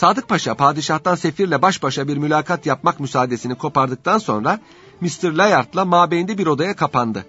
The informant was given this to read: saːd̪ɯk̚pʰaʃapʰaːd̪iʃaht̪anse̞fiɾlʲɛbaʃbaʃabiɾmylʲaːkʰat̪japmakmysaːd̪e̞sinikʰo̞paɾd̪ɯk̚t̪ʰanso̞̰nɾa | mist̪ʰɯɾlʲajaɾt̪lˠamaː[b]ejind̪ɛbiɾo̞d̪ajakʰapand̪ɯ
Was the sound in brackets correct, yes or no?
yes